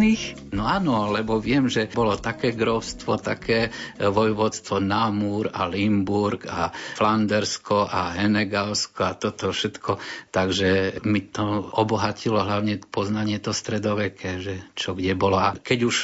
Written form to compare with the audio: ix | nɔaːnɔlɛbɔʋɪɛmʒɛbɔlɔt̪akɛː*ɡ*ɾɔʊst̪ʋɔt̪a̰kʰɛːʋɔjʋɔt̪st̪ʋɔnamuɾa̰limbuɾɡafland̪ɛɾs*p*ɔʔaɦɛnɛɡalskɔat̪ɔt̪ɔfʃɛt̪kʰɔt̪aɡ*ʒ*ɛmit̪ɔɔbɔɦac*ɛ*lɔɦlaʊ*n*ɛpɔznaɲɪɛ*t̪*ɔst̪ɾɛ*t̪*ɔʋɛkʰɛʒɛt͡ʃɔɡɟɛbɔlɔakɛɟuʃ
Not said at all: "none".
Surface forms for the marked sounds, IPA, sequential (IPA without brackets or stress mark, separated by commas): ɡ, k, ʒ, i, ɲ, t̪, d̪